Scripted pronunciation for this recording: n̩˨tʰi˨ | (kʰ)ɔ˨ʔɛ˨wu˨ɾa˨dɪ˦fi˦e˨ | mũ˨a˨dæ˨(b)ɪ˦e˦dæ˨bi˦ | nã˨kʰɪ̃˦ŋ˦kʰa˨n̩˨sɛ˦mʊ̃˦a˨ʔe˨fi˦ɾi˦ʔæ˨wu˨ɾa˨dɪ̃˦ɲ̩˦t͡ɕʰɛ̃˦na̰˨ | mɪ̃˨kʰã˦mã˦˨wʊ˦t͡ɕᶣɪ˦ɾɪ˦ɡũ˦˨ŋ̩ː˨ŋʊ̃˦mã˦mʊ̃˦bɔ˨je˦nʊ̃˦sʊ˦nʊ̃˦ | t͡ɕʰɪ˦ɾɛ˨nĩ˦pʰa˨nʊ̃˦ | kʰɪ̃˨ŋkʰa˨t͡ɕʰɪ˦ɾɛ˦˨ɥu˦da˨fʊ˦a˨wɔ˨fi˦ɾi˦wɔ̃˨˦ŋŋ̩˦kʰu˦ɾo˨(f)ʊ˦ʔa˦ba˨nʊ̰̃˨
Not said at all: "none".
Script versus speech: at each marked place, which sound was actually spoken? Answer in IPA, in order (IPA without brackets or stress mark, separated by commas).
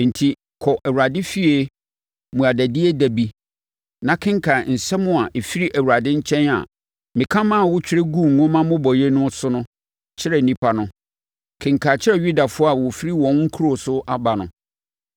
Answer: kʰ, d, s